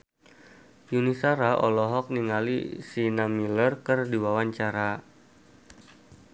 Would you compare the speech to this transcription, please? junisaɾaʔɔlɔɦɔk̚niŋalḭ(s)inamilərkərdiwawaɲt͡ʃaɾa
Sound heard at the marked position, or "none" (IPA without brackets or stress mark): s